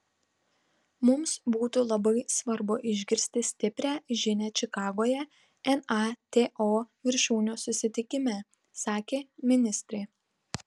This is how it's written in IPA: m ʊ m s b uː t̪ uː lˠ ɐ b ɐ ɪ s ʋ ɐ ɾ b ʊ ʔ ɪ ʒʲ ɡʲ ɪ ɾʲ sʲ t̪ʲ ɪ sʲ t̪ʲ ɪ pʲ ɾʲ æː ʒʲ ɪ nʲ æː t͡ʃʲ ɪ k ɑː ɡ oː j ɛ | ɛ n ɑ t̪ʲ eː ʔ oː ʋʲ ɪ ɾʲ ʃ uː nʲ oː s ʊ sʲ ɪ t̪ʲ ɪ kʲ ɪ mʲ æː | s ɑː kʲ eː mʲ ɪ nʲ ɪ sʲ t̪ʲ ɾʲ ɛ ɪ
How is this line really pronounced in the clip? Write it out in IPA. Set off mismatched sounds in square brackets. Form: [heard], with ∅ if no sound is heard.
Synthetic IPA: m ʊ m s b uː t̪ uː lˠ ɐ b ɐ ɪ s ʋ ɐ ɾ b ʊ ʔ ɪ ʒʲ ɡʲ ɪ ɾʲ sʲ t̪ʲ ɪ sʲ t̪ʲ ɪ pʲ ɾʲ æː ʒʲ ɪ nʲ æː t͡ʃʲ ɪ k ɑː ɡ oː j ɛ | ɛ n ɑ t̪ʲ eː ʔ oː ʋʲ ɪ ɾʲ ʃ uː nʲ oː s ʊ sʲ ɪ t̪ʲ ɪ kʲ ɪ mʲ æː | s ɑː kʲ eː mʲ ɪ nʲ ɪ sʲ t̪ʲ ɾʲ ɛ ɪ